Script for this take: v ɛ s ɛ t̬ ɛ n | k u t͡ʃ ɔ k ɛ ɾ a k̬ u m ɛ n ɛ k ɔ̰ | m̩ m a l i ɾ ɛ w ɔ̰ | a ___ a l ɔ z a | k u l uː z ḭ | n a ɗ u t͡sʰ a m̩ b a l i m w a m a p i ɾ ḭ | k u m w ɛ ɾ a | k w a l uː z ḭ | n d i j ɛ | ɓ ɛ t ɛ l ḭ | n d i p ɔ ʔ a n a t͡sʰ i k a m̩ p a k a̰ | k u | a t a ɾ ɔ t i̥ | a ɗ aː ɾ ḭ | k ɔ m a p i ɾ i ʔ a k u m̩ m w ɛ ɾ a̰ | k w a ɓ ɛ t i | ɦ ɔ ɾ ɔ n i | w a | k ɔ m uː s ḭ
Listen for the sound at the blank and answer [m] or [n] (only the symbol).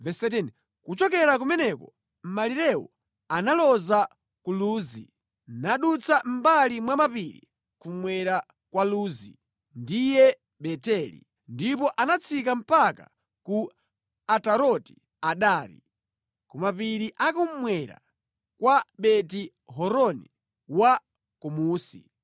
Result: n